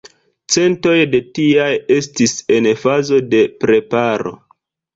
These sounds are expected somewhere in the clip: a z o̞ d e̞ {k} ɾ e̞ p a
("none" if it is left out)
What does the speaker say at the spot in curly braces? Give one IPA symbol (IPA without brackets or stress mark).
p